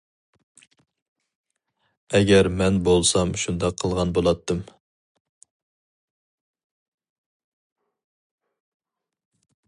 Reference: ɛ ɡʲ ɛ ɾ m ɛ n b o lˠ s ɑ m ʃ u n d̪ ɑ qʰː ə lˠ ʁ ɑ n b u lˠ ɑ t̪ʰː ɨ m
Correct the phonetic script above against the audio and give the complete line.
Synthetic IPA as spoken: ɛ ɡʲ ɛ ɾ m ɛ n b o lˠ s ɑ m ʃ u n d̪ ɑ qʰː ə lˠ ʁ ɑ n b o lˠ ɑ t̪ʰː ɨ m